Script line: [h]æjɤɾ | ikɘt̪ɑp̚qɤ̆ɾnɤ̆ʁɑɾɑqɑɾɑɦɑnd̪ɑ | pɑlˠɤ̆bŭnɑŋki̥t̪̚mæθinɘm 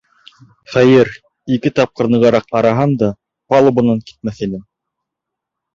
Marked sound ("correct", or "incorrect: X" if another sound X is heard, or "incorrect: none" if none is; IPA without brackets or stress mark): incorrect: χ